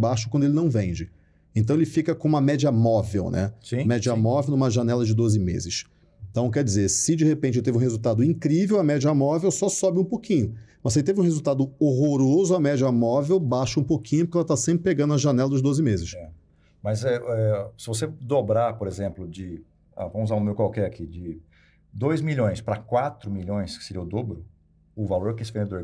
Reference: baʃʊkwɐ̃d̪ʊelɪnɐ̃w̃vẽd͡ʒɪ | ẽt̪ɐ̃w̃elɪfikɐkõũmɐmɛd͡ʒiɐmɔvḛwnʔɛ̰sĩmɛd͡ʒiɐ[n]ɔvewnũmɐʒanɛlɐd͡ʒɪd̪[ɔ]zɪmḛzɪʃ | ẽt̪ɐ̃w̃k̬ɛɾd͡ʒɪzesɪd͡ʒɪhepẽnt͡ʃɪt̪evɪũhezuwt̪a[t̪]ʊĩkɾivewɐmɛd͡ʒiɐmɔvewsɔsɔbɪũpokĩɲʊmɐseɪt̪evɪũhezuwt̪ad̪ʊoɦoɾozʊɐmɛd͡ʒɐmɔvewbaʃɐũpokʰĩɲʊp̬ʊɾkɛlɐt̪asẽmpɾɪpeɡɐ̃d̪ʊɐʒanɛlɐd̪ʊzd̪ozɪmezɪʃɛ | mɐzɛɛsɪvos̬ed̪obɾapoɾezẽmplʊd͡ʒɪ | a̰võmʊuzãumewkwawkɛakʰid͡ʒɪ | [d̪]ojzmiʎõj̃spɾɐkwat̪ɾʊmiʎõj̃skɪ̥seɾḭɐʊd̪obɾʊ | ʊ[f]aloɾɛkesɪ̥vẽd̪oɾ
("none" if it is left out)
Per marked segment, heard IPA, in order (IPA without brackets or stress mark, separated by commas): m, o, d̪, d̪, v